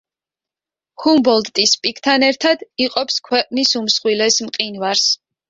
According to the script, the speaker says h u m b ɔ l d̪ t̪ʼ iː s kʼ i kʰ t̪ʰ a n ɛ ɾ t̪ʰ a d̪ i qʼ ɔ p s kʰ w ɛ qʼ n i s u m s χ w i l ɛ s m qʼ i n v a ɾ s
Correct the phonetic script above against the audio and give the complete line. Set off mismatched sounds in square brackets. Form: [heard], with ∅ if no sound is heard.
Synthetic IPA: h u m b ɔ l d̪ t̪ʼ [i] s [pʼ] i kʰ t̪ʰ a n ɛ ɾ t̪ʰ a d̪ i qʼ ɔ p s kʰ w ɛ qʼ n i s u m s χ w i l ɛ s m qʼ i n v a ɾ s